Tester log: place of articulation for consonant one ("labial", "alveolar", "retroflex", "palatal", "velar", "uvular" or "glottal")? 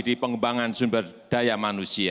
alveolar